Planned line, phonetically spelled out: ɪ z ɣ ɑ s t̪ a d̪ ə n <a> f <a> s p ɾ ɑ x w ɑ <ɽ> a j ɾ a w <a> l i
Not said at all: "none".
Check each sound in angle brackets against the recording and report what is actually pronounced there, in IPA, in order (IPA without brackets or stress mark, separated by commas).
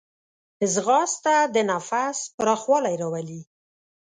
a, a, l, a